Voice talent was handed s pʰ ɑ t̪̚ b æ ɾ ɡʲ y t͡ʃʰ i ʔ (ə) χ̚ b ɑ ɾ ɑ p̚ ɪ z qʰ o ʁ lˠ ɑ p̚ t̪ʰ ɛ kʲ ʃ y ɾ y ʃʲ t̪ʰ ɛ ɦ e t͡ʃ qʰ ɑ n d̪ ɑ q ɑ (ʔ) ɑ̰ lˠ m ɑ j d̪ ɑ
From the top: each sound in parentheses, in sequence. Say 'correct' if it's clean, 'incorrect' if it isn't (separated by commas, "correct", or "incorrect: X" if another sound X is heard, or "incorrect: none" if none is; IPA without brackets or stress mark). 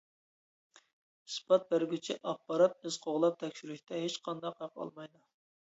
incorrect: ɑ, incorrect: q